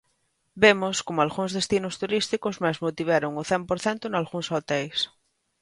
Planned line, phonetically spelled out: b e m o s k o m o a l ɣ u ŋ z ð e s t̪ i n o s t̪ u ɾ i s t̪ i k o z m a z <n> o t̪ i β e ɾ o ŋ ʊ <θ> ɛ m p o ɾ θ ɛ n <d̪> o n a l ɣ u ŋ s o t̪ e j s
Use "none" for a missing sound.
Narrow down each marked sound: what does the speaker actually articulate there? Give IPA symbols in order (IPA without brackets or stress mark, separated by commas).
m, θ, t̪